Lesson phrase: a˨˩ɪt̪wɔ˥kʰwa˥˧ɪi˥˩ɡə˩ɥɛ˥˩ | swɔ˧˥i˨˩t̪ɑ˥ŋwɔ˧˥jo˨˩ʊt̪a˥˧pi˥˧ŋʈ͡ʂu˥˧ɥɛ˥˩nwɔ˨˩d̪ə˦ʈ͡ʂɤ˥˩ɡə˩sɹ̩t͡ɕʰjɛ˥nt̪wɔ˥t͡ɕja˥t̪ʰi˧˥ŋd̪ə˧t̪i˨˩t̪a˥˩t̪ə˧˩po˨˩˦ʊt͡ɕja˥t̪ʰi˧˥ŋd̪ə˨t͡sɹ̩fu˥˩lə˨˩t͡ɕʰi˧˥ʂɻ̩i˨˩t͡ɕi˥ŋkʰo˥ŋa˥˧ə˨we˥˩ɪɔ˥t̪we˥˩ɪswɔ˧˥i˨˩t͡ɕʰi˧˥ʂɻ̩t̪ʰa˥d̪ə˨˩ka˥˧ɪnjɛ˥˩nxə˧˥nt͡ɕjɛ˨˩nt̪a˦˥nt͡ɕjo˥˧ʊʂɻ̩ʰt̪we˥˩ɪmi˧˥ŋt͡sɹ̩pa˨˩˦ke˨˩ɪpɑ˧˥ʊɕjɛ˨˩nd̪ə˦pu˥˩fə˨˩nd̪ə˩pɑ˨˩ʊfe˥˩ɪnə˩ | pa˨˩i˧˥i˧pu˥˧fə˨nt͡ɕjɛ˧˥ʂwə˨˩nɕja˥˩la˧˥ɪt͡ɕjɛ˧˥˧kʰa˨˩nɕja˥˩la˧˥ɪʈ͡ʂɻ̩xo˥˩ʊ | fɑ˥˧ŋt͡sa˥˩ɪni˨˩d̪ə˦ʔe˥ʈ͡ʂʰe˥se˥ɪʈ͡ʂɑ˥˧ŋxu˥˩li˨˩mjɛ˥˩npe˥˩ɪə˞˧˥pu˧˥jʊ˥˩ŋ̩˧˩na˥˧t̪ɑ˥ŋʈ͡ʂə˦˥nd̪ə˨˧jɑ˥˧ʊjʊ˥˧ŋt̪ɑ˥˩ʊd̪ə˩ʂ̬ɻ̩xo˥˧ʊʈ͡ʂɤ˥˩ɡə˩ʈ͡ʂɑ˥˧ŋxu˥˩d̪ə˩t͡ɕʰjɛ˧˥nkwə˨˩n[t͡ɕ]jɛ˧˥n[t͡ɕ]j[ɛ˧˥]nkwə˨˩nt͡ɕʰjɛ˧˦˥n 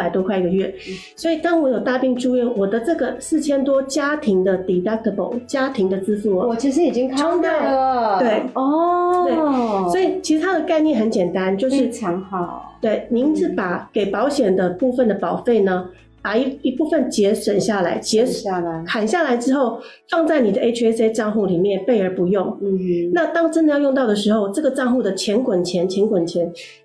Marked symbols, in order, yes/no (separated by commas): no, no, yes